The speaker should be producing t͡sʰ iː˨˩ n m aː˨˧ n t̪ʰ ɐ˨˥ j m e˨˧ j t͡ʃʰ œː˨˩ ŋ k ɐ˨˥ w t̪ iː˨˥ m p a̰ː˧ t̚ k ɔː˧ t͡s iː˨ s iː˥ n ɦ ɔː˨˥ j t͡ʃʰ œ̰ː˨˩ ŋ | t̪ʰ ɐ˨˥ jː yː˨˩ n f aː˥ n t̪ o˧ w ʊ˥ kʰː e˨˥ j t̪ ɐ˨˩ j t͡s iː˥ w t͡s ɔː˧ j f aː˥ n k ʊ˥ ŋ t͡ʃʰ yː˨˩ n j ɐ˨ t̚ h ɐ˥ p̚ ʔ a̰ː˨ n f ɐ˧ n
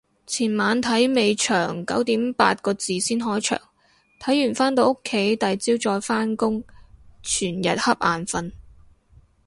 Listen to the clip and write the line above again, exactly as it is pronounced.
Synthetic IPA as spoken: t͡sʰ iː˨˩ n m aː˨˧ n t̪ʰ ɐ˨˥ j m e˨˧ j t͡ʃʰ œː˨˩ ŋ k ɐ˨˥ w t̪ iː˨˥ m p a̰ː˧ t̚ k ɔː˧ t͡s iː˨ s iː˥ n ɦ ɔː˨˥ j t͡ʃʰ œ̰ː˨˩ ŋ | t̪ʰ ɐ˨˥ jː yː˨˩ n f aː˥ n t̪ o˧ w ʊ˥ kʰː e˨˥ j t̪ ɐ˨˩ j t͡s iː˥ w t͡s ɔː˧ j f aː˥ n k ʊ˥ ŋ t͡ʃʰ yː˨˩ n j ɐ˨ t̚ h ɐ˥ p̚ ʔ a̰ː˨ n f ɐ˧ n